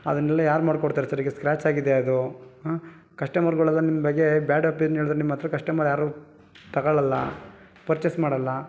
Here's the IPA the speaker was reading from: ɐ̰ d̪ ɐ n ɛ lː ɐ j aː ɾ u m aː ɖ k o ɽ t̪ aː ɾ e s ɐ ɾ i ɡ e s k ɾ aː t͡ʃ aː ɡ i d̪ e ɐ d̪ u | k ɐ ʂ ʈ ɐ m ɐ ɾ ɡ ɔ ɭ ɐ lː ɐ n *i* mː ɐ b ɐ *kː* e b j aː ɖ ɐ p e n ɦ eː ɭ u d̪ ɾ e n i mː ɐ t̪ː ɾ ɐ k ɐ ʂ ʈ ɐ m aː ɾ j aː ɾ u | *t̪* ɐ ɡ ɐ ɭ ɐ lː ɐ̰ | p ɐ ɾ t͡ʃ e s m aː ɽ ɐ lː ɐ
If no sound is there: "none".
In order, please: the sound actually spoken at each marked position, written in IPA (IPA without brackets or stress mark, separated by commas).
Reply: i, ɡː, t̪